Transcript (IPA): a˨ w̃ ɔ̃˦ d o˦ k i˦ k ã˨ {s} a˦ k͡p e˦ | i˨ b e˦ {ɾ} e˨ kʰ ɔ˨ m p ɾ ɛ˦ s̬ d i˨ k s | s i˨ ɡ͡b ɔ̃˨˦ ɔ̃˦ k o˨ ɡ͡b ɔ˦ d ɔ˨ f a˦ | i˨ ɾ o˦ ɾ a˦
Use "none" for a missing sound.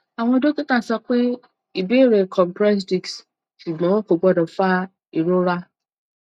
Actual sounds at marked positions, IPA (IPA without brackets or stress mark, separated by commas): s, ɾ